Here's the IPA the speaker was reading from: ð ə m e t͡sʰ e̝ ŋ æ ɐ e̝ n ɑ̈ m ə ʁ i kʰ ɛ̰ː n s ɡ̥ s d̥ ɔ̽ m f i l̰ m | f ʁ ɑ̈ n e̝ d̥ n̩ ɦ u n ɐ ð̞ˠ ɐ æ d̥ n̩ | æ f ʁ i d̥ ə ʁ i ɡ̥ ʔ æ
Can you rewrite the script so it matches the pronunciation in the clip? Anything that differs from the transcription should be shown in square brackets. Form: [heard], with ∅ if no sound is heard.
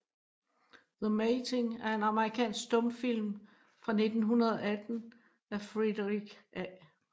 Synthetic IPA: ð ə m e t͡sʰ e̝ ŋ æ ɐ e̝ n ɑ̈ m ə ʁ i kʰ ɛ̰ː n s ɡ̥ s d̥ ɔ̽ m f i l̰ m | f ʁ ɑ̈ n e̝ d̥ n̩ ɦ u n ɐ ð̞ˠ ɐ æ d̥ n̩ | æ f ʁ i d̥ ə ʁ i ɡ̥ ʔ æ